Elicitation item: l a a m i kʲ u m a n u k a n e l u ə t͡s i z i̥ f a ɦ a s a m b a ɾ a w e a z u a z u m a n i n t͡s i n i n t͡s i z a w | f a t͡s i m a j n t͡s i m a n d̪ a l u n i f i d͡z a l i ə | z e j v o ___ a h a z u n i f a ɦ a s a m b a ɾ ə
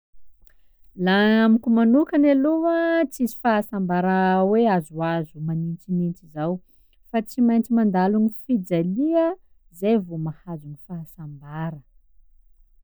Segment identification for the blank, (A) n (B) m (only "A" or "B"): B